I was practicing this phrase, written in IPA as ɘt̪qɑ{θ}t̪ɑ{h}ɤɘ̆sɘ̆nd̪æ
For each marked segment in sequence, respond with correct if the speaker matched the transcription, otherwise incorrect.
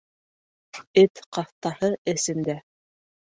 correct, correct

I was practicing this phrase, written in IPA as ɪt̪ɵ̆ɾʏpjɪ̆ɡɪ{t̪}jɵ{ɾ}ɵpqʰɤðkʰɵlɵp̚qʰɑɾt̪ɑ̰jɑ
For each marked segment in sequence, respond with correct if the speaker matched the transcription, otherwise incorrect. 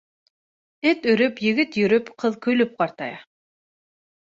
correct, correct

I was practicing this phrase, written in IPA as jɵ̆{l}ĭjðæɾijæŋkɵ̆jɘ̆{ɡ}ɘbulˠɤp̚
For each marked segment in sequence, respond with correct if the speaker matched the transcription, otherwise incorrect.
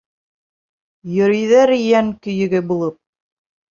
incorrect, correct

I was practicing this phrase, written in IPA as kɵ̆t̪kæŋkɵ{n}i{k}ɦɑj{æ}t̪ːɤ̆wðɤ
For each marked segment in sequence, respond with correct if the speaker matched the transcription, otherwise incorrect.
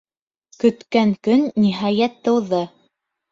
incorrect, incorrect, correct

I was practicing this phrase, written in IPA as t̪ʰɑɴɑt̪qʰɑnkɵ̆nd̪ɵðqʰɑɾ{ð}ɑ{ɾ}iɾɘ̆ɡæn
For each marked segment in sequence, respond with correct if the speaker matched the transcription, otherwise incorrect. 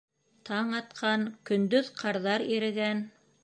correct, correct

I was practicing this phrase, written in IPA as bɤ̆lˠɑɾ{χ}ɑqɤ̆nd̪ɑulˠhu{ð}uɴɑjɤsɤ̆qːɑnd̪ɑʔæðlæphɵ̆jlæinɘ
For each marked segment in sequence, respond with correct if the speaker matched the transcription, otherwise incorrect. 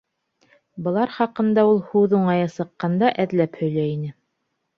correct, correct

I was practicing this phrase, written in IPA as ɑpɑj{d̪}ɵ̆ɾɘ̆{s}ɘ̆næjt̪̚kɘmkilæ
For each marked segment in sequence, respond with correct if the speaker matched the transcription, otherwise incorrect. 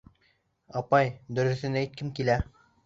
correct, incorrect

